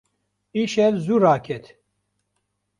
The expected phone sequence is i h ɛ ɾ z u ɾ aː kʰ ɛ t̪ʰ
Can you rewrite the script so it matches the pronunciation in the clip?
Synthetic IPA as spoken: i ʃ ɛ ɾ z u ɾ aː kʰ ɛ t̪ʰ